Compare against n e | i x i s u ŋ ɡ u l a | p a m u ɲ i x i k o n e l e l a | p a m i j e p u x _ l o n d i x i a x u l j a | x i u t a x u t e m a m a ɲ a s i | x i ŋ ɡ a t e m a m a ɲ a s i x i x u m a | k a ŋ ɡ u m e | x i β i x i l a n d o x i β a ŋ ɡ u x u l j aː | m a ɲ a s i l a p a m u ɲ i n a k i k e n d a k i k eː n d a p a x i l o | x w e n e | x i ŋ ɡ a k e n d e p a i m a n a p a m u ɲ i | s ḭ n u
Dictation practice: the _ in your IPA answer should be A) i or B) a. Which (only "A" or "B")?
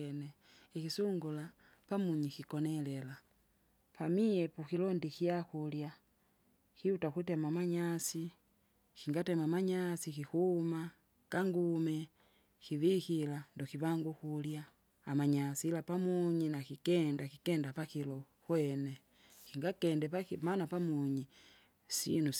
A